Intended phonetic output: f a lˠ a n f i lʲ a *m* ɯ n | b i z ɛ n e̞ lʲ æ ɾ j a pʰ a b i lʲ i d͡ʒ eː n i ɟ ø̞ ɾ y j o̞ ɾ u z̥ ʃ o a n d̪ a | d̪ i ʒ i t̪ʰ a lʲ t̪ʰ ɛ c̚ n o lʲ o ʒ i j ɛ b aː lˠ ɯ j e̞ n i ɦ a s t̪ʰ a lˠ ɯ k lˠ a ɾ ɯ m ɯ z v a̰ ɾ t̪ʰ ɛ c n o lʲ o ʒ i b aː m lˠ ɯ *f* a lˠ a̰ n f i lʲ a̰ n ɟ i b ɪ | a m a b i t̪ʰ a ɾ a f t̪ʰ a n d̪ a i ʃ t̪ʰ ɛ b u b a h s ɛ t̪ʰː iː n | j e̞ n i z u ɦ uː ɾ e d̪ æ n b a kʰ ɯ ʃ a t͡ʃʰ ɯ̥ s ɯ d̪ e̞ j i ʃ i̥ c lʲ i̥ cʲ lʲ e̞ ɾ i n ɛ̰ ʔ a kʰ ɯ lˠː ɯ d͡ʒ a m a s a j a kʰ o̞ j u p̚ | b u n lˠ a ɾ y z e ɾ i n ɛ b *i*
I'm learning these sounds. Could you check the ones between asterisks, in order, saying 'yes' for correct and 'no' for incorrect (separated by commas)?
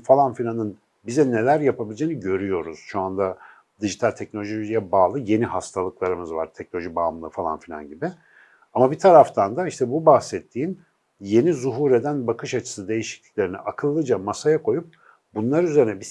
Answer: no, yes, yes